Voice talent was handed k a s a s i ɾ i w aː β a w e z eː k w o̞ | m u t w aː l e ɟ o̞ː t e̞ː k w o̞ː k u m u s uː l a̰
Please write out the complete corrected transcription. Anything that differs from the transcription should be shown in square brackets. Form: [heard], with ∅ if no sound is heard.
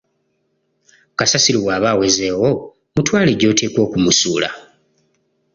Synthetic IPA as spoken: k a s a s i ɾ i w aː β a w e z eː [∅] w o̞ | m u t w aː l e ɟ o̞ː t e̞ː k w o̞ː k u m u s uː l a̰